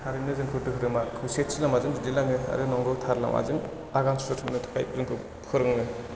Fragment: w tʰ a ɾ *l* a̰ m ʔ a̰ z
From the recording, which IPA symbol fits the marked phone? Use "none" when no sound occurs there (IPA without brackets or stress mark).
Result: l